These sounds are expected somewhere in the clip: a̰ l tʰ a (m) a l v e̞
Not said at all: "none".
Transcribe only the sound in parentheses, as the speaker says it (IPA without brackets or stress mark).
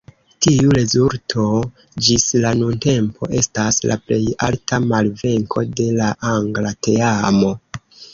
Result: m